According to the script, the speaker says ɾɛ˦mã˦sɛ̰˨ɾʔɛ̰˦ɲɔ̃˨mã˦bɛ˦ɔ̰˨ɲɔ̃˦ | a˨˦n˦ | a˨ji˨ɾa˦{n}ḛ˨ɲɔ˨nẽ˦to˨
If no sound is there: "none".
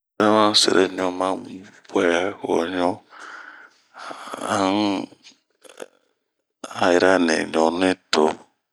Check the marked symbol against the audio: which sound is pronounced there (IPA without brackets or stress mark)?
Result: n